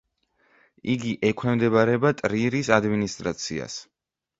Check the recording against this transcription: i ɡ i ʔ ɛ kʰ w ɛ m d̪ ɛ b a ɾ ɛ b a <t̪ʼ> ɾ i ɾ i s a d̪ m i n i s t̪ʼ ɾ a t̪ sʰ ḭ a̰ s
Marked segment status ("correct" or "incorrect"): correct